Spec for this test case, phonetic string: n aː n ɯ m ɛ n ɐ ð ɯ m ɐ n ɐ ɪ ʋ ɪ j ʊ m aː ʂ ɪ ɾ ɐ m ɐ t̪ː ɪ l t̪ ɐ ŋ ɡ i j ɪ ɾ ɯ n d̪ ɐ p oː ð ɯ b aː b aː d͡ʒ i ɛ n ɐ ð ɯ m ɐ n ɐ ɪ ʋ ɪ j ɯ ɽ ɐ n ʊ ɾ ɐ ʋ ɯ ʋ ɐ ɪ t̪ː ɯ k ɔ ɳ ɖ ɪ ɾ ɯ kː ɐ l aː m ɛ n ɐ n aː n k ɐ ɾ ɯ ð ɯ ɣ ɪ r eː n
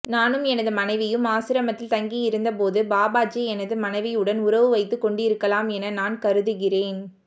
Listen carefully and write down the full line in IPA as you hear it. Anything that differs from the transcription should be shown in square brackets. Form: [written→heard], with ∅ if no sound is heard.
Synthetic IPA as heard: n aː n ɯ m ɛ n ɐ ð ɯ m ɐ n ɐ ɪ ʋ ɪ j [ʊ→ɯ] m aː [ʂ→s] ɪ ɾ ɐ m ɐ t̪ː ɪ l t̪ ɐ ŋ ɡ i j ɪ ɾ ɯ n d̪ ɐ p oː ð ɯ b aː b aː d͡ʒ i ɛ n ɐ ð ɯ m ɐ n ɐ ɪ ʋ ɪ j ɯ ɽ ɐ n ʊ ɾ ɐ ʋ ɯ ʋ ɐ ɪ t̪ː ɯ k ɔ ɳ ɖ ɪ ɾ ɯ kː ɐ l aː m ɛ n ɐ n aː n k ɐ ɾ ɯ ð ɯ ɣ ɪ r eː n

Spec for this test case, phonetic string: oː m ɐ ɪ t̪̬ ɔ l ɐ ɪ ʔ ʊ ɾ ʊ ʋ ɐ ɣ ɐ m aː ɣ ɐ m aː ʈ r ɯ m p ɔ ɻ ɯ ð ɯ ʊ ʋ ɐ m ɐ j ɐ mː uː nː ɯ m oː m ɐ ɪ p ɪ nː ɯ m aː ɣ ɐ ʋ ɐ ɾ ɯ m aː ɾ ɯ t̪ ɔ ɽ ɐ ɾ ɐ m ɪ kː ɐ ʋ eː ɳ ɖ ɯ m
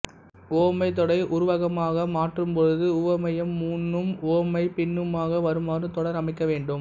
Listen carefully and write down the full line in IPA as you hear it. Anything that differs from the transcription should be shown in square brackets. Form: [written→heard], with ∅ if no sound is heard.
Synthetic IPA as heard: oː m ɐ ɪ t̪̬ ɔ [l→ɽ] ɐ ɪ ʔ ʊ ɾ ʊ ʋ ɐ ɣ ɐ m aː ɣ ɐ m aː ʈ r ɯ m p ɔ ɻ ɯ ð ɯ ʊ ʋ ɐ m ɐ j ɐ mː uː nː ɯ m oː m ɐ ɪ p ɪ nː ɯ m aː ɣ ɐ ʋ ɐ ɾ ɯ m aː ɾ ɯ t̪ ɔ ɽ ɐ ɾ ɐ m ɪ kː ɐ ʋ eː ɳ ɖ ɯ m

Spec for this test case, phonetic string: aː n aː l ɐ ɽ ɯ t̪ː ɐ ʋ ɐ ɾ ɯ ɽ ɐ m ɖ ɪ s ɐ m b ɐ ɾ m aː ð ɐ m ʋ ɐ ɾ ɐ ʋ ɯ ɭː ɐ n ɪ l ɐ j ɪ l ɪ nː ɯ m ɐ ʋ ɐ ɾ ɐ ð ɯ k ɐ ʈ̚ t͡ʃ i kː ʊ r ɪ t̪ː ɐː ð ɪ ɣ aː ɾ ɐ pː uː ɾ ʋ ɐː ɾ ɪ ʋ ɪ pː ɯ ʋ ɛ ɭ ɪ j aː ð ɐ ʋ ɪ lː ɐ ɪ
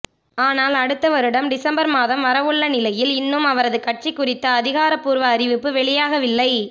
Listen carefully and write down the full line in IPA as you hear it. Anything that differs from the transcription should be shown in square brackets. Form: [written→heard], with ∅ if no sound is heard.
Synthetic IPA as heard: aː n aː l ɐ ɽ ɯ t̪ː ɐ ʋ ɐ ɾ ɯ ɽ ɐ m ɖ ɪ s ɐ m b ɐ ɾ m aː ð ɐ m ʋ ɐ ɾ ɐ ʋ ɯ ɭː ɐ n ɪ l ɐ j ɪ l ɪ nː ɯ m ɐ ʋ ɐ ɾ ɐ ð ɯ k ɐ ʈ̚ t͡ʃ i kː ʊ r ɪ t̪ː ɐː ð ɪ ɣ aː ɾ ɐ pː uː ɾ ʋ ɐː ɾ ɪ ʋ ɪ pː ɯ ʋ ɛ ɭ ɪ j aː [ð→ɣ] ɐ ʋ ɪ lː ɐ ɪ

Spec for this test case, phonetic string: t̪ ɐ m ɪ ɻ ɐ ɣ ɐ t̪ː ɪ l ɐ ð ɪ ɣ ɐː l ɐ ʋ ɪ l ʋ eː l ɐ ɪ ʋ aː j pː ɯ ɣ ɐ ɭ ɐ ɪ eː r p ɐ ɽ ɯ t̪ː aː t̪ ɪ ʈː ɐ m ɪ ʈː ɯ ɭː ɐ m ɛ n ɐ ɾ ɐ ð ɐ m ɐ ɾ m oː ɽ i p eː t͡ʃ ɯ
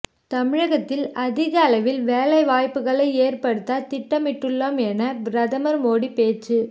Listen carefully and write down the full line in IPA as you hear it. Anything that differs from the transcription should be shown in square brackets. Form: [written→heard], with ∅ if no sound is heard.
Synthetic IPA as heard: t̪ ɐ m ɪ ɻ ɐ ɣ ɐ t̪ː ɪ l ɐ ð ɪ ɣ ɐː l ɐ ʋ ɪ l ʋ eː l ɐ ɪ ʋ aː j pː ɯ ɣ ɐ ɭ ɐ ɪ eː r p ɐ ɽ ɯ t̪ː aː t̪ ɪ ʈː ɐ m ɪ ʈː ɯ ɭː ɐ m ɛ n ɐ ɾ ɐ ð ɐ m ɐ ɾ m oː ɽ i p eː t͡ʃ ɯ

